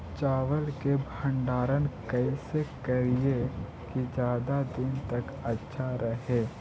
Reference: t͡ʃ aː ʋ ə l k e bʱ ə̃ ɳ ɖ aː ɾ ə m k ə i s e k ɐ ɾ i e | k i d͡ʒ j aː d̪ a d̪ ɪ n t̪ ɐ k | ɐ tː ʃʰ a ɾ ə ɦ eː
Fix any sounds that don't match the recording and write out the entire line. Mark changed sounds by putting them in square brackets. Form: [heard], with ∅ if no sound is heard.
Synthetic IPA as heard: t͡ʃ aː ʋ ə l k e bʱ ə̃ ɳ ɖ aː ɾ ə [n] k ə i s e k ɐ ɾ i e | k i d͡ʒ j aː d̪ a d̪ ɪ n t̪ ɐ k | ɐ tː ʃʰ a ɾ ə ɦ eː